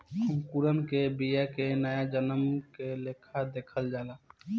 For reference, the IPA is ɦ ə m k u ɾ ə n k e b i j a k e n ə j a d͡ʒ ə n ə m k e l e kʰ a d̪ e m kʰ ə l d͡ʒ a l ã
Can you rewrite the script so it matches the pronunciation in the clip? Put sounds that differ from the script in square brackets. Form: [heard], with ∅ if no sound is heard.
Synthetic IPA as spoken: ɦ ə m k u ɾ ə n k e b i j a k e n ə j a d͡ʒ ə n ə m k e l e kʰ a d̪ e [∅] kʰ ə l d͡ʒ a l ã

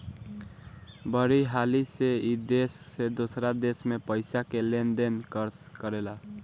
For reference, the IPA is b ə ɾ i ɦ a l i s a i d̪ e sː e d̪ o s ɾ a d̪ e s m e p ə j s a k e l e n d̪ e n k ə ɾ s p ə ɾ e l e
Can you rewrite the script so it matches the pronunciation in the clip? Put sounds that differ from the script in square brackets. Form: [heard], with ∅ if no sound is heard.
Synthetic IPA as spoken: b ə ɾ i ɦ a l i s [e] i d̪ e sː e d̪ o s ɾ a d̪ e s m e p ə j s a k e l e n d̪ e n k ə ɾ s [k] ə ɾ e l [a]

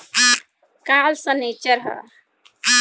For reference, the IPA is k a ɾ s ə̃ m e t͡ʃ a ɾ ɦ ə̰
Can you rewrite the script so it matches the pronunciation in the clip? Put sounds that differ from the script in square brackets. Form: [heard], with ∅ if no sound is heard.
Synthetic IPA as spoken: k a [l] s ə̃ [n] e t͡ʃ [ə] ɾ ɦ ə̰

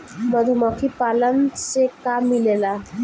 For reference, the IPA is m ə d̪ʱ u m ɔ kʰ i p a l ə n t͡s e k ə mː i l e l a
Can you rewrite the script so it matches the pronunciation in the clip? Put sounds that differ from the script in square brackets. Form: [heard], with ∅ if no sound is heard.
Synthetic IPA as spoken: m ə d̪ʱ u m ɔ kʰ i p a l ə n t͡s e k [a] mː i l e l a

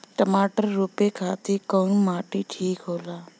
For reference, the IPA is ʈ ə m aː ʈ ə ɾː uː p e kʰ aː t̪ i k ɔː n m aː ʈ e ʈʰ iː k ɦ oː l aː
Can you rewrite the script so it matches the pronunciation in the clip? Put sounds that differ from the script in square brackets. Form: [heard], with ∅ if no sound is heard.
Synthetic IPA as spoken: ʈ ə m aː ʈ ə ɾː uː p e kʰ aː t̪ i k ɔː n m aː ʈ [i] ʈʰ iː k ɦ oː l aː

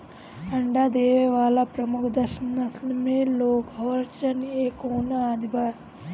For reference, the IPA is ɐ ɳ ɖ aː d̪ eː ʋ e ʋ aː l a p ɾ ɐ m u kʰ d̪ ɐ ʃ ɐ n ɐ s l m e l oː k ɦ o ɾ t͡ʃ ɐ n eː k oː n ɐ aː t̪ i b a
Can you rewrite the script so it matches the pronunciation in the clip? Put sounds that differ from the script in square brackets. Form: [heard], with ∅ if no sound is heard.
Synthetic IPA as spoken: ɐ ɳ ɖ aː d̪ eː ʋ e ʋ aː l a p ɾ ɐ m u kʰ d̪ ɐ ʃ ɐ n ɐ s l m e l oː k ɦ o ɾ t͡ʃ ɐ n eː k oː n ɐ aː [d̪] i b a

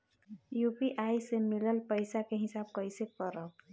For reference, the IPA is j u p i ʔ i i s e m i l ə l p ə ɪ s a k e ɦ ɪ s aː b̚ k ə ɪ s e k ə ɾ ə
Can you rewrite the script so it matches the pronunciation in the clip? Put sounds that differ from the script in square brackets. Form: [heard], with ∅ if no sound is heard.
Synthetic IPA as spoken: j u p i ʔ [a] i s e m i l ə l p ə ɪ s a k e ɦ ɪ s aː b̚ k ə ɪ s e k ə ɾ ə

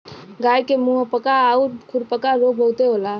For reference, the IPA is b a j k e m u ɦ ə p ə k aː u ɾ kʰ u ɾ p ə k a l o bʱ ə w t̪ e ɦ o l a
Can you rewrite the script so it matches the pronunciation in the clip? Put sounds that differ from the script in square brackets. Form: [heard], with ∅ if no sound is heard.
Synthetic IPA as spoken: [ɡ] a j k e m u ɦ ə p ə k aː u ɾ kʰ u ɾ p ə k a [ɾ] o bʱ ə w t̪ e ɦ o l a

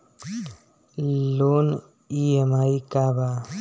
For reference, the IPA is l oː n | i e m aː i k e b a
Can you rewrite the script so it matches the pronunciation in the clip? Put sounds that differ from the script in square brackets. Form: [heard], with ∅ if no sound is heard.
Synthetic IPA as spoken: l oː n | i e m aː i k [a] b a

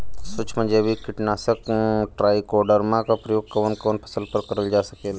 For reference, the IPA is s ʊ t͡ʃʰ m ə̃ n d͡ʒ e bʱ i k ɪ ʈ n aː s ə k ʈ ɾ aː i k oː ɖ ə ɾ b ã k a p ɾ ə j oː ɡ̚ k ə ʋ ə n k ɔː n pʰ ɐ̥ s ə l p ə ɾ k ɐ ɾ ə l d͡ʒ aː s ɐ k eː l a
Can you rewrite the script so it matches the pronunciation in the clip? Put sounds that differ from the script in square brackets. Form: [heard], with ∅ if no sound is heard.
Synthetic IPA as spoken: s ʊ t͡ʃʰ m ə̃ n d͡ʒ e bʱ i k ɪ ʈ n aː s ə k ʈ ɾ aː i k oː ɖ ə ɾ [m] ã k a p ɾ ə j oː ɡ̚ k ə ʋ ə n k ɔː n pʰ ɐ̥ s ə l p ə ɾ k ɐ ɾ ə l d͡ʒ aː s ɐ k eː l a

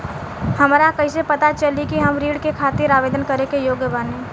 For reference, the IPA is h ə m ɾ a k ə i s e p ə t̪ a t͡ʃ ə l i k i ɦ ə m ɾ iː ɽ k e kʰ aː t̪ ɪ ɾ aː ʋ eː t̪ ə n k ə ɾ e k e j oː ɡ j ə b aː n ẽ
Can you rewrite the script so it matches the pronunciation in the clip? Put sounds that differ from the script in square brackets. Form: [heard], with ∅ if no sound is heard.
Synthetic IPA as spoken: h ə m ɾ a k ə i s e p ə t̪ a t͡ʃ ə l i k i ɦ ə m ɾ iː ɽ k e kʰ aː t̪ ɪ ɾ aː ʋ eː [d̪] ə n k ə ɾ e k e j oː ɡ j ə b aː n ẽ

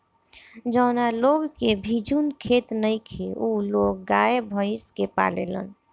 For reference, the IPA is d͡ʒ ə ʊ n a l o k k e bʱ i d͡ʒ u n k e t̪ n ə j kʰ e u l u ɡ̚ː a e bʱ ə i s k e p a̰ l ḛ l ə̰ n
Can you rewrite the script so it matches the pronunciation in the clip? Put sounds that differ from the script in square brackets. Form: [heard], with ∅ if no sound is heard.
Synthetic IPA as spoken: d͡ʒ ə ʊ n a l o [ɡ] k e bʱ i d͡ʒ u n [kʰ] e t̪ n ə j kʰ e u l [o] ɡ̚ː a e bʱ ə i s k e p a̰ l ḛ l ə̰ n

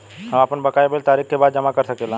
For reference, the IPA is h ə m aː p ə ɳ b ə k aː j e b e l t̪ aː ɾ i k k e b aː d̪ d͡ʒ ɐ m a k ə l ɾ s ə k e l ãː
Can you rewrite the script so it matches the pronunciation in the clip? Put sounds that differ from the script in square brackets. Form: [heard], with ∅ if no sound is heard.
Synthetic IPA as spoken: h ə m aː p ə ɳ b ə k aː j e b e l t̪ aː ɾ i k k e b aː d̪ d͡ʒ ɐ m a k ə [∅] ɾ s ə k e l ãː

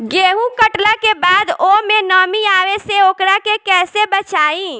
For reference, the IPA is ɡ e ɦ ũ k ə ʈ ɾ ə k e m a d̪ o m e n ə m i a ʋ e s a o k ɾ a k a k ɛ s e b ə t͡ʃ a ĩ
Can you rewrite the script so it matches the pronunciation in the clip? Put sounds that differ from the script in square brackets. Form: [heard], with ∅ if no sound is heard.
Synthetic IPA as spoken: ɡ e ɦ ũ k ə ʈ [l] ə k e [b] a d̪ o m e n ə m i a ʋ e s [e] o k ɾ a k [e] k ɛ s e b ə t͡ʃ a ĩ

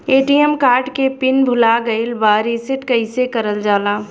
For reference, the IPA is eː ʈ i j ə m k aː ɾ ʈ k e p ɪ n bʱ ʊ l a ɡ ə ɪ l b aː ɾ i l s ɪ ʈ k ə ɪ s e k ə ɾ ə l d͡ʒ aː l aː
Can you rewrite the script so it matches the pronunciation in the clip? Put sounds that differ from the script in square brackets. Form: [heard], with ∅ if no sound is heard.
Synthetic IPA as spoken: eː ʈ i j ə m k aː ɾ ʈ k e p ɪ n bʱ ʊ l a ɡ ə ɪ l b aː ɾ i [∅] s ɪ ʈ k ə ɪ s e k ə ɾ ə l d͡ʒ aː l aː

